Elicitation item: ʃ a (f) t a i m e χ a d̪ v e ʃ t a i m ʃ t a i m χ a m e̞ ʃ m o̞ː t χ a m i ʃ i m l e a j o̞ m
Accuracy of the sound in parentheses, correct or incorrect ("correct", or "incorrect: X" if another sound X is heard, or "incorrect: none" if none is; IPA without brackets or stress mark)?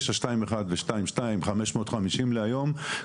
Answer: incorrect: ʃ